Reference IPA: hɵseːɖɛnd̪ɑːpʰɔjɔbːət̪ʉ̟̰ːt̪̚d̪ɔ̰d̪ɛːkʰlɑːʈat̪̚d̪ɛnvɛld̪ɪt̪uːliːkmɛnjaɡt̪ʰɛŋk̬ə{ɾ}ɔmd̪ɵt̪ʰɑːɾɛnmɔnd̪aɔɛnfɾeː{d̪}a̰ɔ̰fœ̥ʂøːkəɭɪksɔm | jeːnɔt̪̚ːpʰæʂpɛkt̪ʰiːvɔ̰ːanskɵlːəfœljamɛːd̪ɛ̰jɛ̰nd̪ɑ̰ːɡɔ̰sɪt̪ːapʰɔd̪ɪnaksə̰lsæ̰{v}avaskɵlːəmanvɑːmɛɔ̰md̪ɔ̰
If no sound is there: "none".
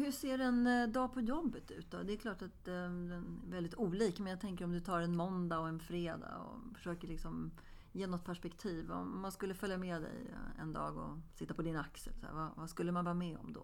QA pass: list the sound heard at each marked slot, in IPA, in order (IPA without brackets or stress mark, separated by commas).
ɾ, d̪, v